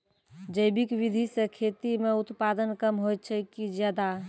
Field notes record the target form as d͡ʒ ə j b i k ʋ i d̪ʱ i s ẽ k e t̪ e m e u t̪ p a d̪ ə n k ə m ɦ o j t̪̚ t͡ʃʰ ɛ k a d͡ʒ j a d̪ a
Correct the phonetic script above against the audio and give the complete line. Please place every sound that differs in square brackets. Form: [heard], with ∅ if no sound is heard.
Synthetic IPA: d͡ʒ ə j b i k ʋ i d̪ʱ i s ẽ [kʰ] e t̪ [i] m e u t̪ p a d̪ ə n k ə m ɦ o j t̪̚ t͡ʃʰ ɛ k [i] d͡ʒ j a d̪ a